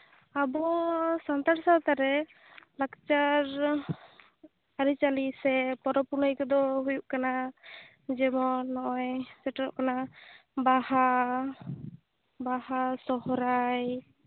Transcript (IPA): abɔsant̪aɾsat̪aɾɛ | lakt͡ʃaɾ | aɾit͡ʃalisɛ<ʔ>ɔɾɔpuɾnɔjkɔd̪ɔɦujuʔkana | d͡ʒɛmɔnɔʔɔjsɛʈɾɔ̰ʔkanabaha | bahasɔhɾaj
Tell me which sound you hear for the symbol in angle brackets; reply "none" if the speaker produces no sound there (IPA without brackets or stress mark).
p